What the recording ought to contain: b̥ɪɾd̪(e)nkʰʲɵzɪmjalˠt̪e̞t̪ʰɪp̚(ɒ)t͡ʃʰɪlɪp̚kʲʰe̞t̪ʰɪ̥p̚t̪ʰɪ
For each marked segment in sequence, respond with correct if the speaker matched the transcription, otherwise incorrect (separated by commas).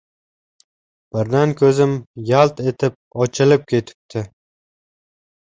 incorrect, correct